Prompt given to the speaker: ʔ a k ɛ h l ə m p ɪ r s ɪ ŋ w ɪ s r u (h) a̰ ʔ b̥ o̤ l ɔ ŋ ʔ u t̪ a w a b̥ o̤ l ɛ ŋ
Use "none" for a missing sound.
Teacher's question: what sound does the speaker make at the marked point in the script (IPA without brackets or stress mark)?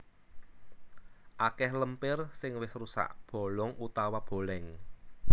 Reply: s